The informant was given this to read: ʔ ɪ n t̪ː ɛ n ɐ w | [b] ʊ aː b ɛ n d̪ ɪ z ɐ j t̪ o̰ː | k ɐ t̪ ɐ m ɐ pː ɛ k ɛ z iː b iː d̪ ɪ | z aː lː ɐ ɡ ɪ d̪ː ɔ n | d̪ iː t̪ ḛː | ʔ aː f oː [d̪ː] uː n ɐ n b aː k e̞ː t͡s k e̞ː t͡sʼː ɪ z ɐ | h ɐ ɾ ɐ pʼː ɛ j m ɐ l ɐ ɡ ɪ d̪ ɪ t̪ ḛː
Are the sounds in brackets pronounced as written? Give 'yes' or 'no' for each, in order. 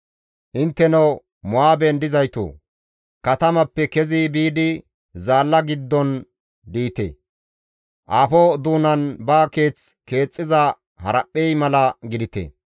no, no

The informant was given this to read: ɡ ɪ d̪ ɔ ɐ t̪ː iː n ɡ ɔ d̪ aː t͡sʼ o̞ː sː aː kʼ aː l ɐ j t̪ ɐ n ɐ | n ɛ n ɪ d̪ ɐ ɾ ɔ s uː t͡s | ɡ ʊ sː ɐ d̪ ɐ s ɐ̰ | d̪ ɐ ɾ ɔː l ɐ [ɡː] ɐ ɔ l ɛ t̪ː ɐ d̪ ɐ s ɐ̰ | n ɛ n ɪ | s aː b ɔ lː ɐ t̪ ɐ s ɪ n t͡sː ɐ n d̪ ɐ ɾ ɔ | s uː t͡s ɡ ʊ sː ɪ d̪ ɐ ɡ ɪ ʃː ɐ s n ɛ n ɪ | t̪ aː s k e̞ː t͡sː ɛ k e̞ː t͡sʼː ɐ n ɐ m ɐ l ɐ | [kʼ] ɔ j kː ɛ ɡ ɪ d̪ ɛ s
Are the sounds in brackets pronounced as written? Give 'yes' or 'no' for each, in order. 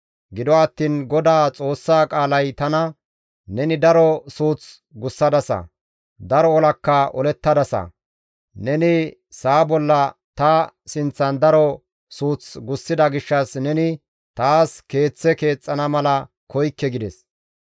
no, no

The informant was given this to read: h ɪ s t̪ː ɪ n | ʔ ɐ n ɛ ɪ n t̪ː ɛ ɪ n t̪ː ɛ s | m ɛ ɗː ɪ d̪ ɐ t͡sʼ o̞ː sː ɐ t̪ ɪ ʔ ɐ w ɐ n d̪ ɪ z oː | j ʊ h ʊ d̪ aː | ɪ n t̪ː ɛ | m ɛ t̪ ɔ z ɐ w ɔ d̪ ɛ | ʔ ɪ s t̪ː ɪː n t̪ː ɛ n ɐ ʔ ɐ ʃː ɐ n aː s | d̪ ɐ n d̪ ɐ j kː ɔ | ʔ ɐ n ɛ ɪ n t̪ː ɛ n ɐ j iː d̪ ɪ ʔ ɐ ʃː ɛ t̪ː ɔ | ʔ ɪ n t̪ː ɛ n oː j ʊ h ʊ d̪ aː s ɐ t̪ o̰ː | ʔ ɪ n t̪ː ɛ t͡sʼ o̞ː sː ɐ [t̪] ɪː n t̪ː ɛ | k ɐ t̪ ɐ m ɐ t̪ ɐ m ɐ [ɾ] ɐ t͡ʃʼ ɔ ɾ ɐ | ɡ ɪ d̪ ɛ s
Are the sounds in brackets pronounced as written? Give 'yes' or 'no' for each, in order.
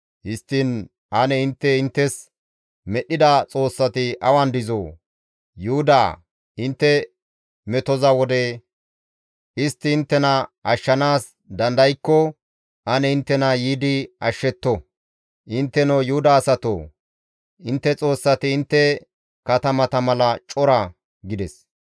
yes, no

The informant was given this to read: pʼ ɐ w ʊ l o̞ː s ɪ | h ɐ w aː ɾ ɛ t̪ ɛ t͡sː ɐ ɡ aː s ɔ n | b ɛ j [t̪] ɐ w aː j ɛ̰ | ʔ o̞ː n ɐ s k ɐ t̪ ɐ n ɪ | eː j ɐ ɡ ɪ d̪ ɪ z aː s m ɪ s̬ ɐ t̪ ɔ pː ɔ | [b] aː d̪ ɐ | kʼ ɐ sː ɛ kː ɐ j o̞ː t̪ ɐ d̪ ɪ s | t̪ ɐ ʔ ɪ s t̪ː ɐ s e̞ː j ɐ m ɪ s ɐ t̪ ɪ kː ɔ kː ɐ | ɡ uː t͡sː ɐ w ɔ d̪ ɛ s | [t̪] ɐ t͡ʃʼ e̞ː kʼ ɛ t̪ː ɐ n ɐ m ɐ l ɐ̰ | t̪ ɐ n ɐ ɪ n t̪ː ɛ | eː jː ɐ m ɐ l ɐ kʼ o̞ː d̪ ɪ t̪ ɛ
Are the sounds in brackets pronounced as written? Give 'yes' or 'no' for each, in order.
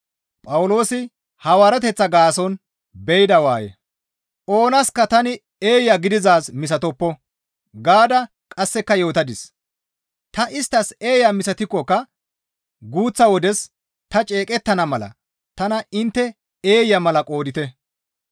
no, no, yes

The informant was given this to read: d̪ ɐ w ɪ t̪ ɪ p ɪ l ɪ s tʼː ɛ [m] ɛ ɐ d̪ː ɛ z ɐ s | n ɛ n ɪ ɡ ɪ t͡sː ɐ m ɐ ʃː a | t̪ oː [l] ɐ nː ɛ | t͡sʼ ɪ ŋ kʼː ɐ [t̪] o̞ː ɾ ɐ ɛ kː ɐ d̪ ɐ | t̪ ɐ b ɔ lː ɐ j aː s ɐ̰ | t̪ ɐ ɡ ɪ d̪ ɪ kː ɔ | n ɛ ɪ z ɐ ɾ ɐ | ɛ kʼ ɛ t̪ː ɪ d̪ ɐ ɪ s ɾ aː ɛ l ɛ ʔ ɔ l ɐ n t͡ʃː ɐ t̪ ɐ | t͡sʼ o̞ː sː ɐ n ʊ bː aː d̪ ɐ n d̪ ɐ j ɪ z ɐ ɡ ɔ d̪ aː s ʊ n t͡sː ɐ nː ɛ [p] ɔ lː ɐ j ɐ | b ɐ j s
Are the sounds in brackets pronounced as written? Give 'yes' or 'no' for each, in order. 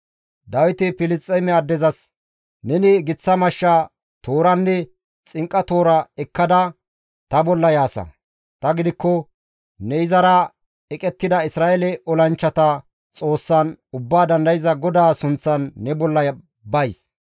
yes, no, yes, no

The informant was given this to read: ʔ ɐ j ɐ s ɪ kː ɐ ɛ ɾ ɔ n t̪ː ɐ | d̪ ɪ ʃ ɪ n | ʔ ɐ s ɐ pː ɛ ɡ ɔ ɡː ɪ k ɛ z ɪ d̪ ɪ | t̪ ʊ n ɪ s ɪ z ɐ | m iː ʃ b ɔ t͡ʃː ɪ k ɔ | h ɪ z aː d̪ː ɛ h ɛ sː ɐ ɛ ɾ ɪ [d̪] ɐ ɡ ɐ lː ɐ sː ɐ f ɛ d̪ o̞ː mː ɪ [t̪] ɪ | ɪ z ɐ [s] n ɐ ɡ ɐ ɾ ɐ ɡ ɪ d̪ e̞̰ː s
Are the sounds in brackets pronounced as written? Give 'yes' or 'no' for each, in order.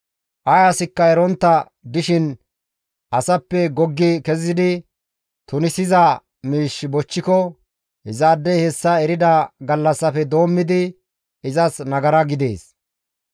yes, no, yes

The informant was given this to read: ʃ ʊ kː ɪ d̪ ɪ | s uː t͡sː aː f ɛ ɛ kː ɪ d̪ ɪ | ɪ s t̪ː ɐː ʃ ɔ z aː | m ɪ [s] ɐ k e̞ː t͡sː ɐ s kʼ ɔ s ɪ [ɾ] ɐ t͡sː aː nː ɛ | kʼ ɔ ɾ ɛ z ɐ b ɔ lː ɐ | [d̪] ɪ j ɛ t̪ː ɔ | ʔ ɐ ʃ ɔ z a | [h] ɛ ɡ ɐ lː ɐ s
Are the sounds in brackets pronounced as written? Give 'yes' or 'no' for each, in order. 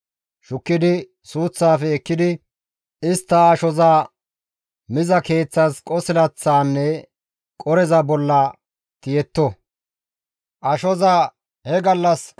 no, no, no, yes

